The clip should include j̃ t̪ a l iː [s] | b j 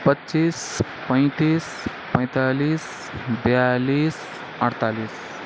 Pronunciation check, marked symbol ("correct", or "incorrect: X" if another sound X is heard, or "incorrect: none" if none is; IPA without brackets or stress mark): correct